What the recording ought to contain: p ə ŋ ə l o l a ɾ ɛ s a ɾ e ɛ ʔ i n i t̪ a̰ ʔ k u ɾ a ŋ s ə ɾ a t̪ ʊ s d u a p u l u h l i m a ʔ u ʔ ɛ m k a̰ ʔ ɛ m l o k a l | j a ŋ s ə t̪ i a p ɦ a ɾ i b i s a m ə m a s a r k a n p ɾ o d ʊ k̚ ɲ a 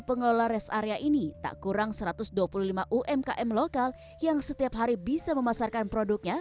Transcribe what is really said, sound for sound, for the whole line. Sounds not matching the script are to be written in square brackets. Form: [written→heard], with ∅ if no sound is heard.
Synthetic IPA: p ə ŋ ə l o l a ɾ ɛ s a ɾ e [ɛ→a] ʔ i n i t̪ a̰ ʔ k u ɾ a ŋ s ə ɾ a t̪ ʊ s d u a p u l u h l i m a ʔ u ʔ ɛ m k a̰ ʔ ɛ m l o k a l | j a ŋ s ə t̪ i a p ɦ a ɾ i b i s a m ə m a s a r k a n p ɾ o d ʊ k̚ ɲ a